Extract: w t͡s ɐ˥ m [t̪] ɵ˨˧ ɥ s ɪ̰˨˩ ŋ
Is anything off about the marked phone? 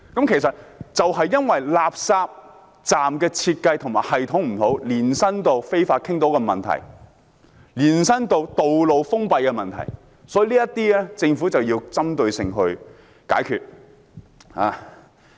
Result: no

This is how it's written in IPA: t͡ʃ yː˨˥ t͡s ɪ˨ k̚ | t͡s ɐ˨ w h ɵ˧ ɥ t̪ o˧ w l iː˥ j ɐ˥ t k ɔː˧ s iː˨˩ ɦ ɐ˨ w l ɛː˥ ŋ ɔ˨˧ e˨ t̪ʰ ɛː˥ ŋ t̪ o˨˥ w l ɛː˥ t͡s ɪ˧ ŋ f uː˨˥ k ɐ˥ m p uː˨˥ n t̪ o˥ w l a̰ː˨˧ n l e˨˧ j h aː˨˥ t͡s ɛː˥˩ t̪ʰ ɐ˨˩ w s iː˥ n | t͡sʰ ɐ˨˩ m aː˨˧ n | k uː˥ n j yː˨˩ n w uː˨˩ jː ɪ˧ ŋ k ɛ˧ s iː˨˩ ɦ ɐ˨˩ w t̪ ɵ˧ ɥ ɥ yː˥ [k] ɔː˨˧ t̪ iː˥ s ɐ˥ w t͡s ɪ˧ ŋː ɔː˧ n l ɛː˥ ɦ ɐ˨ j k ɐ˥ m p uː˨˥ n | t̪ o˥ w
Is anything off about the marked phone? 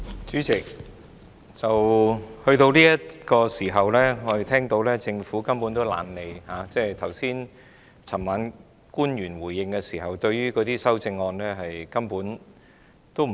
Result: no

